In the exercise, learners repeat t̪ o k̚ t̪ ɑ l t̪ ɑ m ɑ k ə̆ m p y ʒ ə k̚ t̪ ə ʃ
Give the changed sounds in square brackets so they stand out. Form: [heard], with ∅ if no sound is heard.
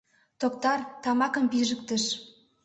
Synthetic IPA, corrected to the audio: t̪ o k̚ t̪ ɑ [r] t̪ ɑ m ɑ k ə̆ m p [i] ʒ ə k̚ t̪ ə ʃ

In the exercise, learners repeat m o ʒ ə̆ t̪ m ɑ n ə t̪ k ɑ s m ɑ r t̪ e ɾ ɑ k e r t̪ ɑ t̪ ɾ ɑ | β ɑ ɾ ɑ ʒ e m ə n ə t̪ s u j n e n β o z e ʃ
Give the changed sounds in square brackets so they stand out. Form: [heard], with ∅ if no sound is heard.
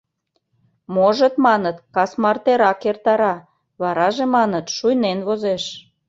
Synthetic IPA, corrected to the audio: m o ʒ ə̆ t̪ m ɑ n ə t̪ k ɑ s m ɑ r t̪ e ɾ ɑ k e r t̪ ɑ [∅] ɾ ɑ | β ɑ ɾ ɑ ʒ e m [ɑ] n ə t̪ [ʃ] u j n e n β o z e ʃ

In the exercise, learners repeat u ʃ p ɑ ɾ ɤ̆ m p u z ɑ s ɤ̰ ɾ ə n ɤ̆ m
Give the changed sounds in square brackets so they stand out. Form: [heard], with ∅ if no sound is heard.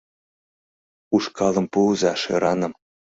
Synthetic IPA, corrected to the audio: u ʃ [k] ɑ [l] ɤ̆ m p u z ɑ [ʃ] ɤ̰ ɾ [ɑ] n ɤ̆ m

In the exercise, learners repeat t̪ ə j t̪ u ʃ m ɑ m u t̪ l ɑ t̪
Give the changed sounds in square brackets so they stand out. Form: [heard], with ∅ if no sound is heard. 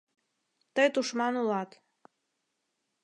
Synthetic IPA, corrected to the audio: t̪ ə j t̪ u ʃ m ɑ [n] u [∅] l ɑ t̪

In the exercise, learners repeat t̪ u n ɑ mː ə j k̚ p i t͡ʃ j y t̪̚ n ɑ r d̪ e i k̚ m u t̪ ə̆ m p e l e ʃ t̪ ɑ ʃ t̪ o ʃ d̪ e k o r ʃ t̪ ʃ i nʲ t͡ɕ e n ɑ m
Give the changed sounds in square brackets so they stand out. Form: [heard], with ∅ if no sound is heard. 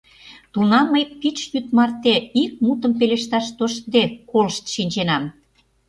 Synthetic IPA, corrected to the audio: t̪ u n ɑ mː ə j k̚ p i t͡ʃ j y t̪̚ [m] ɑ r [t̪] e i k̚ m u t̪ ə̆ m p e l e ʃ t̪ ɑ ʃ t̪ o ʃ d̪ e k o [l] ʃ t̪ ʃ i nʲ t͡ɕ e n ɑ m

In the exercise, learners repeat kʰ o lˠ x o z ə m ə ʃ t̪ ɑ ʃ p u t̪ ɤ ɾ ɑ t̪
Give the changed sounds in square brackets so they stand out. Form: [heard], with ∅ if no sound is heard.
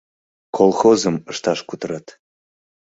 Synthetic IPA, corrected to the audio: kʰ o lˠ x o z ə m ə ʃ t̪ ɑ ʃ [k] u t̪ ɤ ɾ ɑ t̪

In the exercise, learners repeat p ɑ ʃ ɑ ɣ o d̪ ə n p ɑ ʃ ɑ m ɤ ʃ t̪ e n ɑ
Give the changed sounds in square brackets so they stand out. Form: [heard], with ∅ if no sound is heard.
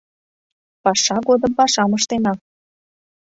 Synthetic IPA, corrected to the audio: p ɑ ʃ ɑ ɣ o d̪ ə [m] p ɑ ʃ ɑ m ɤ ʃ t̪ e n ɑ

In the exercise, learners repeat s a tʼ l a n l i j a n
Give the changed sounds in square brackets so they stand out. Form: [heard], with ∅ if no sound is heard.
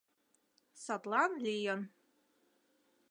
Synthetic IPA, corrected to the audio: s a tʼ l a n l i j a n

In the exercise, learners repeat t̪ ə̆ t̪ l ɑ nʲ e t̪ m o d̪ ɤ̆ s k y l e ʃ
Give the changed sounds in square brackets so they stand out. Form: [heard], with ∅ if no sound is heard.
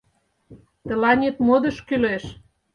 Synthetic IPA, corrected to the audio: t̪ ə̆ [∅] l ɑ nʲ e t̪ m o d̪ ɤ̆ [ʃ] k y l e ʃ

